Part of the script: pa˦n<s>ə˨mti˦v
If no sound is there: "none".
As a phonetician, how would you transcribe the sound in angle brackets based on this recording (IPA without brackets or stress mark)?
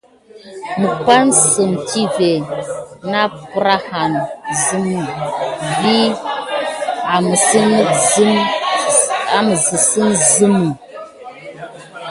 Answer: s